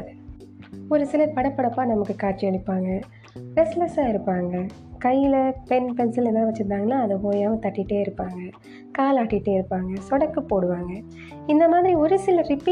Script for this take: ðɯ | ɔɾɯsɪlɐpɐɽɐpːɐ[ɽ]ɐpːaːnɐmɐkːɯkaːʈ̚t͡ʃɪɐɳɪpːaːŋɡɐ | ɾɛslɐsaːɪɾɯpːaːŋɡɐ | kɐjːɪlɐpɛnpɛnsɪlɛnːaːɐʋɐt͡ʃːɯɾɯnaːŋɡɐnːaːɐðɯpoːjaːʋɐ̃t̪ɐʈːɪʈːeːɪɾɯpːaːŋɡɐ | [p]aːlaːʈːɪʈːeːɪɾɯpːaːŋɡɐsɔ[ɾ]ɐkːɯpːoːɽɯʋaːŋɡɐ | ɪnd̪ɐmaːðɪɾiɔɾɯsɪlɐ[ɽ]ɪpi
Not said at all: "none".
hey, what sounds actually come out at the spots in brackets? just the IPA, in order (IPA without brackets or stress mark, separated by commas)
ɽ, k, ɽ, ɾ